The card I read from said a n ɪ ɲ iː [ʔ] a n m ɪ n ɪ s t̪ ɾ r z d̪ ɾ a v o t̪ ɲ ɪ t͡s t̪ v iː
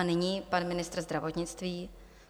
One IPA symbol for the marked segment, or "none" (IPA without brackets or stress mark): p